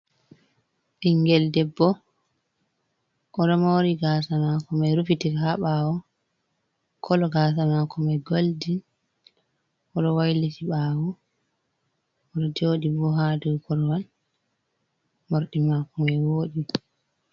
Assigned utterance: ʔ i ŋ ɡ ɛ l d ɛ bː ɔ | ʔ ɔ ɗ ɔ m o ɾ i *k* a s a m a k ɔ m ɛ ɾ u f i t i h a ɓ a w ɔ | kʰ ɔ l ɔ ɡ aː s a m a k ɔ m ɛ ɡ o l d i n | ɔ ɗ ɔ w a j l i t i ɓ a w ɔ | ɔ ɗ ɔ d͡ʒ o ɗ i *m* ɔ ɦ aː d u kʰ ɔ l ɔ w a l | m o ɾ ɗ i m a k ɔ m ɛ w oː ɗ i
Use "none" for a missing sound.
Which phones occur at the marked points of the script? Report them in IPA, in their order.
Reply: ɡ, b

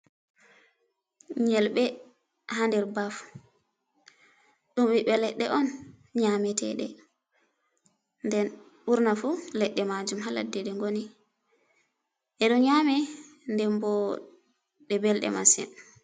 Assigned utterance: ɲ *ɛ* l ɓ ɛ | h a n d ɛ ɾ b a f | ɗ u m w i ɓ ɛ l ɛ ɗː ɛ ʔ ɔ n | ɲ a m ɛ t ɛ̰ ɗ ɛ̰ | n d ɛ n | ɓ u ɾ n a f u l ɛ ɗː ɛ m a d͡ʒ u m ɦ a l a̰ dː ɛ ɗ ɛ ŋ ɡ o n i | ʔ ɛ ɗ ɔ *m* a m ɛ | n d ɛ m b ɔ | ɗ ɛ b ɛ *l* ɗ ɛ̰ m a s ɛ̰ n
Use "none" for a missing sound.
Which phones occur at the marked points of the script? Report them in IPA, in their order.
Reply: ɛ, ɲ, l

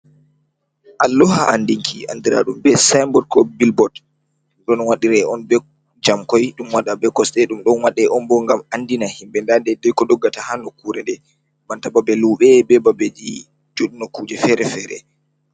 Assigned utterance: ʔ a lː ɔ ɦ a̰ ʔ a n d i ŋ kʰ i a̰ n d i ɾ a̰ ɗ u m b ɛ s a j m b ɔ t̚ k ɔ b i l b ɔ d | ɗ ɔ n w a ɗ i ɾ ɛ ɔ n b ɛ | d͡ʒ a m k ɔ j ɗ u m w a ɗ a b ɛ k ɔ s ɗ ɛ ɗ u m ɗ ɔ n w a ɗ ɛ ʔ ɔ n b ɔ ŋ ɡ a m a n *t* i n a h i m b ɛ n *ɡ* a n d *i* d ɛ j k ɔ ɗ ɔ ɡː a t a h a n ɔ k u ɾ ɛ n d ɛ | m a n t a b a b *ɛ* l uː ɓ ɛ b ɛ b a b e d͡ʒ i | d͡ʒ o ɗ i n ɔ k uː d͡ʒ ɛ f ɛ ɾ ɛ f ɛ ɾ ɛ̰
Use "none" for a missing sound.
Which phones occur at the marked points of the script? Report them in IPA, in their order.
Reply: d, d, ɛ, ɛ

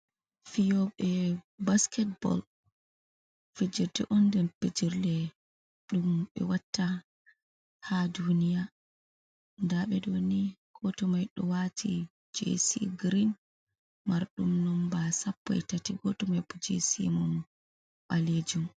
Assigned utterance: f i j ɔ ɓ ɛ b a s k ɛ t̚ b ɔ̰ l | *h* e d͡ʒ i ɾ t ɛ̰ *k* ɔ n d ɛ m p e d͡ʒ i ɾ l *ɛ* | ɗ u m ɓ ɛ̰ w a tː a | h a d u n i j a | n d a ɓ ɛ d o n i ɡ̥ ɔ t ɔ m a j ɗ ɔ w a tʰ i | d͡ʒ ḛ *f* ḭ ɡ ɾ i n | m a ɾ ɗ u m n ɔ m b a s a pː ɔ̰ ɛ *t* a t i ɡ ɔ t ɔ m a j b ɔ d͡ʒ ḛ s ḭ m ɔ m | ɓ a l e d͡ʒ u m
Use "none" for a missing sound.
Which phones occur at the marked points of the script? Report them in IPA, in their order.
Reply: f, ʔ, ɛ, s, t

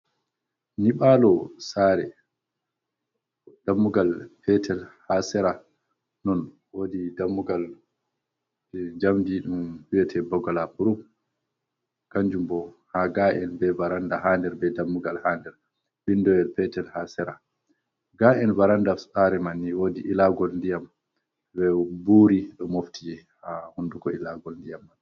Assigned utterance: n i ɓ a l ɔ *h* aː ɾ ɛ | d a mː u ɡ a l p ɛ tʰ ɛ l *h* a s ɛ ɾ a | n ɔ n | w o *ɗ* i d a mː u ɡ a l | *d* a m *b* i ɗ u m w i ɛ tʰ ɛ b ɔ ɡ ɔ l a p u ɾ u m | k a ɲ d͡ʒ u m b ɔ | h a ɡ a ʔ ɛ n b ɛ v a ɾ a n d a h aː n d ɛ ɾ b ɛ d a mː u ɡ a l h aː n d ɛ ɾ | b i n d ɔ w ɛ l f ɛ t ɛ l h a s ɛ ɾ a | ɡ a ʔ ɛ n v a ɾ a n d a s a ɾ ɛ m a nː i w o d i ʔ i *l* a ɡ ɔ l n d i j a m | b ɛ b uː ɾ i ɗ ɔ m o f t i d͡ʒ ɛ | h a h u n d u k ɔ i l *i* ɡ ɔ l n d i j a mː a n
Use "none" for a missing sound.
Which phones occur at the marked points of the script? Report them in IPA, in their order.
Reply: s, h, d, d͡ʒ, d, l, a

